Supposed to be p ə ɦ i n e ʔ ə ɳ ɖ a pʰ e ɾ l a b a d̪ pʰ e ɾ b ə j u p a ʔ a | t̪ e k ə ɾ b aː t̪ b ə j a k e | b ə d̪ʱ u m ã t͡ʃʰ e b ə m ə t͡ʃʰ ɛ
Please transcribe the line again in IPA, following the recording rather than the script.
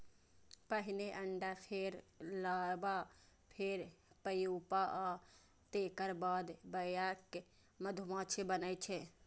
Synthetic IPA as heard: p ə ɦ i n e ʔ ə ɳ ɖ a pʰ e ɾ l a b a pʰ e ɾ p ə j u p a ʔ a | t̪ e k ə ɾ b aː d̪ b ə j a k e | m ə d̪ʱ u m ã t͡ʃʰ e b ə n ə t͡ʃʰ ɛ